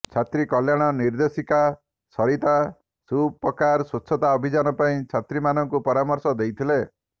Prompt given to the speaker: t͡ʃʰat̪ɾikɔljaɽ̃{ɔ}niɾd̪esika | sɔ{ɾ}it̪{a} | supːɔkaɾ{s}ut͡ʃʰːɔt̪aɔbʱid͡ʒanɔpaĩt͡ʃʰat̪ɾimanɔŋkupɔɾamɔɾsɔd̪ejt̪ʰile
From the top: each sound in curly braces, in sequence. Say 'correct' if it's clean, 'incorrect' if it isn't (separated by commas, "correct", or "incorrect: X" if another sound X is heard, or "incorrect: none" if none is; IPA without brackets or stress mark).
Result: correct, correct, correct, correct